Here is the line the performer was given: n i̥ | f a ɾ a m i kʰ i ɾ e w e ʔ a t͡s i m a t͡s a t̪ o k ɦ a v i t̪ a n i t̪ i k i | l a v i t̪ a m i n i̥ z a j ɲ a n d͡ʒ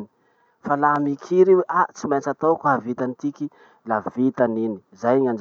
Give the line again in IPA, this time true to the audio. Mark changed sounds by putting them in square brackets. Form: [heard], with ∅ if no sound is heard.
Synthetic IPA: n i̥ | f a [l] a m i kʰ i ɾ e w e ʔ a t͡s i m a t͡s a t̪ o k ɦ a v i t̪ a n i t̪ i k i | l a v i t̪ a [n] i n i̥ z a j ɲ a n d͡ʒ